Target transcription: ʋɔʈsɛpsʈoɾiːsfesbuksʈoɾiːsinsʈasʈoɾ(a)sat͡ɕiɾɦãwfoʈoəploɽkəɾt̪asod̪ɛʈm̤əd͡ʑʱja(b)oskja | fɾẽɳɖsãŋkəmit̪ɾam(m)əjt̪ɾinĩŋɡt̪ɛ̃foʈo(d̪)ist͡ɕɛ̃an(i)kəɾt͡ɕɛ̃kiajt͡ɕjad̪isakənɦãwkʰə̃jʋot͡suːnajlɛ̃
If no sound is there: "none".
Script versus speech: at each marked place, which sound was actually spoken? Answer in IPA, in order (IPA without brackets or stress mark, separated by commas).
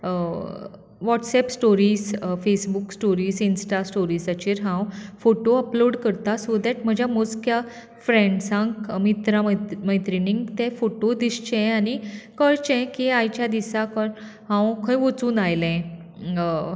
i, m, m, d̪, i